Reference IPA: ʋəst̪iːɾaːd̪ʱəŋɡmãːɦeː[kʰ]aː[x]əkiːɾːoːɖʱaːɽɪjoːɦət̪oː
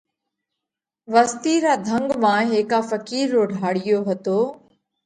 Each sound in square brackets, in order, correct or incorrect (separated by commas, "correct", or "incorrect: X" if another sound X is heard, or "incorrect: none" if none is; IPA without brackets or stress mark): incorrect: k, incorrect: f